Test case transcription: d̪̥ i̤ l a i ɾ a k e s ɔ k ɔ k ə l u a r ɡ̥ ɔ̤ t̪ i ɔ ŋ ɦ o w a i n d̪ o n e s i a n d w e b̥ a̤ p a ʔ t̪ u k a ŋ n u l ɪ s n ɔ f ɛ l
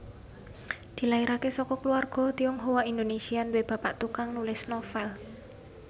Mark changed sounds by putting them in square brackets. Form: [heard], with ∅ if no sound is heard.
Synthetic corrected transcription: d̪̥ i̤ l a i ɾ a k e s ɔ k ɔ k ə l u a r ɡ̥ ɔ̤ t̪ i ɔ ŋ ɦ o w a i n d̪ o n e s i a n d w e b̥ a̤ p a ʔ t̪ u k a ŋ n u l ɪ s n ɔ f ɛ l